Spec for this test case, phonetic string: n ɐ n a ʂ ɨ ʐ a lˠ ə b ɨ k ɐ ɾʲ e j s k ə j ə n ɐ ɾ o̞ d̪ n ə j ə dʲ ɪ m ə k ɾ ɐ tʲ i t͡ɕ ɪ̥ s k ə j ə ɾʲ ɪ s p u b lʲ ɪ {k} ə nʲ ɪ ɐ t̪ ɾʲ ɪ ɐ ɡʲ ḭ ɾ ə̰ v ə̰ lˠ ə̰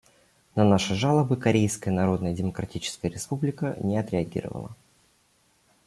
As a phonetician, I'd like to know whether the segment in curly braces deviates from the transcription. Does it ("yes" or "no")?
no